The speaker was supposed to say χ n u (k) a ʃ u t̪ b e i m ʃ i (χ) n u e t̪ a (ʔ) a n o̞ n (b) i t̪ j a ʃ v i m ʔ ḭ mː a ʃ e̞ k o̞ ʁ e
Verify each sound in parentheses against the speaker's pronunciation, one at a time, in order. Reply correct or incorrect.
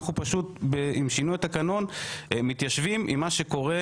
incorrect: p, incorrect: none, incorrect: k, incorrect: m

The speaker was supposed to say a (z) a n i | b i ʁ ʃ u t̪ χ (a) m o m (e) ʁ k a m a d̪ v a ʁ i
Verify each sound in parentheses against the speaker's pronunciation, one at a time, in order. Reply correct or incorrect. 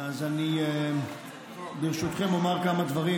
correct, incorrect: e, incorrect: a

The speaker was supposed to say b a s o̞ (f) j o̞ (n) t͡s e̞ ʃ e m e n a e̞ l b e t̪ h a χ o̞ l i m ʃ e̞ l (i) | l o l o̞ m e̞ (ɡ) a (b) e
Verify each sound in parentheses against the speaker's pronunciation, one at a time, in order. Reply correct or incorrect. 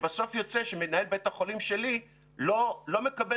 correct, incorrect: none, correct, incorrect: k, correct

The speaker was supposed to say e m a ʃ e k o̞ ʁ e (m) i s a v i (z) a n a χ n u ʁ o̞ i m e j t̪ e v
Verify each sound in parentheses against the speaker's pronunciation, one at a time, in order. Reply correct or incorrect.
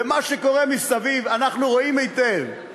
correct, incorrect: v

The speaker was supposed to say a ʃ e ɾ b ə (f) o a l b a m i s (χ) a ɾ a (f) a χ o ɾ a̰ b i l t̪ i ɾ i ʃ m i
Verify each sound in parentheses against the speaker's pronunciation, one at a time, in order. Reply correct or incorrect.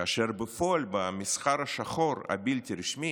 correct, correct, incorrect: ʃ

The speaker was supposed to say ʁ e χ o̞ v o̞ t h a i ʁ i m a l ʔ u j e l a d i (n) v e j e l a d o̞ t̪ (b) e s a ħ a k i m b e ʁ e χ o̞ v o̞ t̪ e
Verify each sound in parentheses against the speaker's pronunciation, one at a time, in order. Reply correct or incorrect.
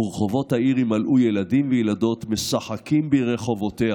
incorrect: m, incorrect: m

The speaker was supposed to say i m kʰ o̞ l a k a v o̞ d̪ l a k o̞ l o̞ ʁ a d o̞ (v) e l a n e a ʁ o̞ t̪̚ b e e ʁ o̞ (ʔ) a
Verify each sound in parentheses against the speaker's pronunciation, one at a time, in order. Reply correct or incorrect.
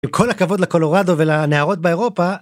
correct, incorrect: p

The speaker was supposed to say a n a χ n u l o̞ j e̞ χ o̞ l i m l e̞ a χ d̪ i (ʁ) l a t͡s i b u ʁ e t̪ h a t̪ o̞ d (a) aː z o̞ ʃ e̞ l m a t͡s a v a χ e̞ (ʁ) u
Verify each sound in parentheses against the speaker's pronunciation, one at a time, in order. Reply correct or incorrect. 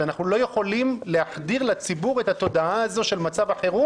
correct, correct, correct

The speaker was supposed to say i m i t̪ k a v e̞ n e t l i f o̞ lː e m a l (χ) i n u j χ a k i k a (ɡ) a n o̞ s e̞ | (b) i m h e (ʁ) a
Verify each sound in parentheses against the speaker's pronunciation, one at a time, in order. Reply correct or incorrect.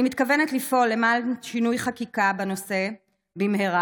incorrect: ʃ, incorrect: b, correct, correct

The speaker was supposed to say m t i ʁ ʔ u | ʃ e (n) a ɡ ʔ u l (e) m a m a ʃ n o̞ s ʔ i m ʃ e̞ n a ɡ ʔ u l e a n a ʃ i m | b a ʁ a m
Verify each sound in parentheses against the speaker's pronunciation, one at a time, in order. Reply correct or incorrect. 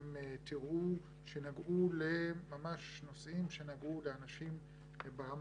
correct, correct

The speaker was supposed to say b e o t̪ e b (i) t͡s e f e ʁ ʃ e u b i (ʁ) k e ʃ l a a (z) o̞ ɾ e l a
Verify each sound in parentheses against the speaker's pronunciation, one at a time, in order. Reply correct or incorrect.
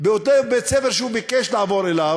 incorrect: e, incorrect: none, incorrect: v

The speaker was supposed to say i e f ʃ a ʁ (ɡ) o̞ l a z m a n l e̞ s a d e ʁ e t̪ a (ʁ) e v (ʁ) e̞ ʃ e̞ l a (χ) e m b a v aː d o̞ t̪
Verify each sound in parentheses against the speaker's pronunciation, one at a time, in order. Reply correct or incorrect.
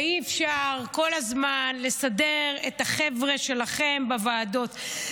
incorrect: k, incorrect: χ, correct, correct

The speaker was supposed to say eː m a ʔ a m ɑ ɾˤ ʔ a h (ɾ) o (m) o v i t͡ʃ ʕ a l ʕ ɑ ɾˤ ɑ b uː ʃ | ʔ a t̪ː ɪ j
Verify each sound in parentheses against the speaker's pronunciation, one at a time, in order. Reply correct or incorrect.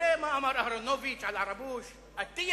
correct, incorrect: n

